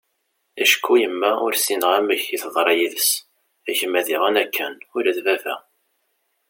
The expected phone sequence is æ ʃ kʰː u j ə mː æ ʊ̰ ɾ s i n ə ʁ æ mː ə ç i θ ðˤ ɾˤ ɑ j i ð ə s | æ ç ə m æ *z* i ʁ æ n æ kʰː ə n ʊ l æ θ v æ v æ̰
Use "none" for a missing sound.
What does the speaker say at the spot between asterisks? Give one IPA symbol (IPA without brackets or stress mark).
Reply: ð